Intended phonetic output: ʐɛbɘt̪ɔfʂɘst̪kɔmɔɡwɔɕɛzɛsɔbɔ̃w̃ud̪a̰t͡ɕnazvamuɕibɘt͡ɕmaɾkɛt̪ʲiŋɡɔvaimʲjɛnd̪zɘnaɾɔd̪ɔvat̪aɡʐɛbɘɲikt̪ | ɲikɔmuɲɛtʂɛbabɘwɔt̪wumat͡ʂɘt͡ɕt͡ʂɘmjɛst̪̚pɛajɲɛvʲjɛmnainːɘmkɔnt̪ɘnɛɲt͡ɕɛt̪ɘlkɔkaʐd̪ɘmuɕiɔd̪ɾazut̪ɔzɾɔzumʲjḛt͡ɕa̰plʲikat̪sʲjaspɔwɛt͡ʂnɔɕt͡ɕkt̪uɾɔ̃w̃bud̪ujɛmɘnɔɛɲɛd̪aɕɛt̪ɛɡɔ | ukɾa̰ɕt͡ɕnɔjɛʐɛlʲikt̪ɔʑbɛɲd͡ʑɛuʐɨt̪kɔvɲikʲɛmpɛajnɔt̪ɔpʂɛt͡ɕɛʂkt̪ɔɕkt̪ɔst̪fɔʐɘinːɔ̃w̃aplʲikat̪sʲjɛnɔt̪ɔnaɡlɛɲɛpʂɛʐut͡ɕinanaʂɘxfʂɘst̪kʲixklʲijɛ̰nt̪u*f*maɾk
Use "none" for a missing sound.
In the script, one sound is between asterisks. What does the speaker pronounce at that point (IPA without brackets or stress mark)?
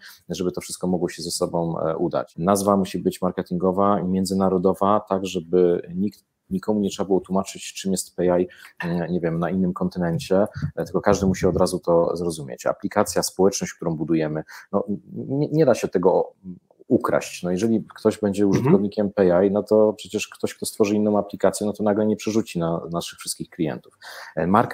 f